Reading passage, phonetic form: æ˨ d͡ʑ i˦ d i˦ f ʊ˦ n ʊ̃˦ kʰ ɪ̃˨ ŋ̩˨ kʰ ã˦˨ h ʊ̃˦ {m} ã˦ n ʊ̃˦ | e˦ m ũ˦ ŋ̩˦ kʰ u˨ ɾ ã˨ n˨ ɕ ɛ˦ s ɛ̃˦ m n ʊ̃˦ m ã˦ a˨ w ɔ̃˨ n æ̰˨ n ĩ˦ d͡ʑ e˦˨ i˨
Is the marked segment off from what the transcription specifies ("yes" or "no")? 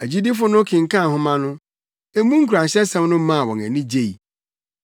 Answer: no